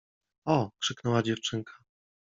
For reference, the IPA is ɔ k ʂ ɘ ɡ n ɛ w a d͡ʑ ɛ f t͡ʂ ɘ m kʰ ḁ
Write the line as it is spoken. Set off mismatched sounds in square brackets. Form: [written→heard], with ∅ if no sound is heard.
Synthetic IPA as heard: ɔ k ʂ ɘ [ɡ→k] n ɛ w a d͡ʑ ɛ f t͡ʂ ɘ [m→ŋ] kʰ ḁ